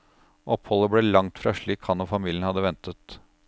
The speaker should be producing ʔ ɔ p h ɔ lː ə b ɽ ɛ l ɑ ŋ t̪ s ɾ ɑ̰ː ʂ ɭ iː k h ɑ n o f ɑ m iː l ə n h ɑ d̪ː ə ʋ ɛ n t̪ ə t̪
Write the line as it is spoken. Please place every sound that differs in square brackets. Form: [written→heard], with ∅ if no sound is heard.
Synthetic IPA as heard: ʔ ɔ p h ɔ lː ə b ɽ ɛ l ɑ ŋ t̪ [s→f] ɾ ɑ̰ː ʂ ɭ iː k h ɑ n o f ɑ m iː l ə n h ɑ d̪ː ə ʋ ɛ n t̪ ə t̪